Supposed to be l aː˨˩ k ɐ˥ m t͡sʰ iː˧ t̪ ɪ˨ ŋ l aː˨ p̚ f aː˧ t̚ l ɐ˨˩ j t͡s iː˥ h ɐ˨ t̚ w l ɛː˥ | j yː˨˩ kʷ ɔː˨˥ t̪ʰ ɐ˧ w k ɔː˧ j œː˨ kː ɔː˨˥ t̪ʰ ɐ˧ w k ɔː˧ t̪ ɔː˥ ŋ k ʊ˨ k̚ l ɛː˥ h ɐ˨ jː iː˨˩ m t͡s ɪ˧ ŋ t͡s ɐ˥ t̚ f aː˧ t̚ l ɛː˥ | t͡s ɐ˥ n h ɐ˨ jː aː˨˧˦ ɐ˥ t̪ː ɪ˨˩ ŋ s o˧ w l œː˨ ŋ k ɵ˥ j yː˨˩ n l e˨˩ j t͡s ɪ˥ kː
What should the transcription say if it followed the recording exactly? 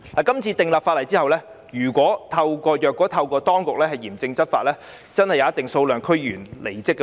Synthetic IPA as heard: l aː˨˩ k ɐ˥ m t͡sʰ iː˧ t̪ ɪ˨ ŋ l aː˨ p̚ f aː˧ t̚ l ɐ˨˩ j t͡s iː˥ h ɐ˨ w l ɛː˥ | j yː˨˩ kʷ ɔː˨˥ t̪ʰ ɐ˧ w k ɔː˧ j œː˨ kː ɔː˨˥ t̪ʰ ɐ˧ w k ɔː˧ t̪ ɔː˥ ŋ k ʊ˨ k̚ l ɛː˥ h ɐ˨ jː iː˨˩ m t͡s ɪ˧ ŋ t͡s ɐ˥ t̚ f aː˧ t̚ l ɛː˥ | t͡s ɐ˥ n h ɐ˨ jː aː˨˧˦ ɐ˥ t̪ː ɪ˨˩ ŋ s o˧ w l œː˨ ŋ kʰ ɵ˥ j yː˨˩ n l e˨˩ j t͡s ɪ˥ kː